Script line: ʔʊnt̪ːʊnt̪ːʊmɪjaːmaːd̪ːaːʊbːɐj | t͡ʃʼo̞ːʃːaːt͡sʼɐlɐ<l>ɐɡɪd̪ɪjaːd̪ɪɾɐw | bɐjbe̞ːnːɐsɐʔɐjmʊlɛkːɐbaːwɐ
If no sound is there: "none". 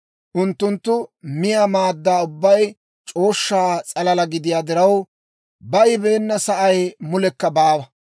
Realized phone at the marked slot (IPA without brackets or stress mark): l